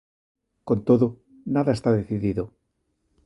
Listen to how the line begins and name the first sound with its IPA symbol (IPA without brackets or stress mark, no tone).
k